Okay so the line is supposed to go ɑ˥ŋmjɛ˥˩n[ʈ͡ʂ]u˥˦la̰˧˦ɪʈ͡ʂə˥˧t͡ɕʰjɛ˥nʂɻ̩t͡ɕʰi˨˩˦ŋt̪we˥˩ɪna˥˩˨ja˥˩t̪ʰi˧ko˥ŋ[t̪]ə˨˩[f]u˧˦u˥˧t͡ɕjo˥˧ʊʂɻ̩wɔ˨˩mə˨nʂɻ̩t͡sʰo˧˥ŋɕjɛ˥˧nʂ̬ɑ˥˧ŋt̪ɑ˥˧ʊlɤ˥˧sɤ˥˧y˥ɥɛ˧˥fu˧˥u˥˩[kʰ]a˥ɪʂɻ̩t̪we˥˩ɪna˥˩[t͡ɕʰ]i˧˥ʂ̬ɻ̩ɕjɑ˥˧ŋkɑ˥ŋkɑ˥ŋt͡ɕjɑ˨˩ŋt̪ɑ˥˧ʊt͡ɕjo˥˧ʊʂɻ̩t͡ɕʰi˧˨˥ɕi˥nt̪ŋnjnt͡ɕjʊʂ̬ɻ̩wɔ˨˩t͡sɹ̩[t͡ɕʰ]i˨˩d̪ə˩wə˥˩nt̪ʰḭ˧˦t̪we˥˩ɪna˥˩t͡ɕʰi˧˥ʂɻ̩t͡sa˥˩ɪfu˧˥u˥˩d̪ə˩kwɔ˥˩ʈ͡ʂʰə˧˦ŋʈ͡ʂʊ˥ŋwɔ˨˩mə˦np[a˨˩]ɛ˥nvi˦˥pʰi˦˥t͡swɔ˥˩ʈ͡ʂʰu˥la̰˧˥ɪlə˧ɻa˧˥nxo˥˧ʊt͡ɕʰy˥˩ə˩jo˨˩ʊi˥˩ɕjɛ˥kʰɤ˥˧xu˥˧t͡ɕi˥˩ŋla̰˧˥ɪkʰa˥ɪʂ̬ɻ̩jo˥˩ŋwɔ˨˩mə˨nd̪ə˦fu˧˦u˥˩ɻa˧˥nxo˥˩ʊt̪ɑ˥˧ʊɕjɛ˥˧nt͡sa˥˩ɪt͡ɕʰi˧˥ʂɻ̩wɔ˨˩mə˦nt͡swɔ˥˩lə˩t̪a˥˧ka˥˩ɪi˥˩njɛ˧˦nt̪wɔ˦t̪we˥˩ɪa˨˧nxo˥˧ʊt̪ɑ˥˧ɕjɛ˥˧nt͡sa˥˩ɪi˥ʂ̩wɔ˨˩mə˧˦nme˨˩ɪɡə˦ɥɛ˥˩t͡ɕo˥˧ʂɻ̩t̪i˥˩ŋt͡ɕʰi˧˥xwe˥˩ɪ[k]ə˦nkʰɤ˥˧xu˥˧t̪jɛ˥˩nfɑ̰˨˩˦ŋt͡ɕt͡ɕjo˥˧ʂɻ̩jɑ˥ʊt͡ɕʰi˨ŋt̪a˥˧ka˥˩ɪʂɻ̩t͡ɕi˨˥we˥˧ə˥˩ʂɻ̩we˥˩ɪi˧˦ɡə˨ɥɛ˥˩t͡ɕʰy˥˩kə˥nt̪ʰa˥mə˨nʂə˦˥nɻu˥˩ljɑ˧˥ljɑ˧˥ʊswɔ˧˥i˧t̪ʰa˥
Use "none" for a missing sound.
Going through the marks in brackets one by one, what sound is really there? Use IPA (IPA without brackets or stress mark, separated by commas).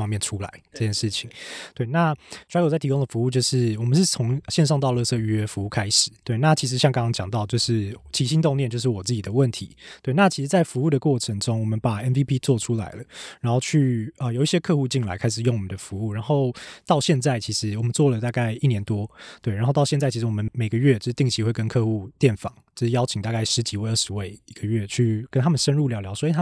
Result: ʈ͡ʂʰ, d̪, f, kʰ, t͡ɕʰ, t͡ɕ, a˨˩, k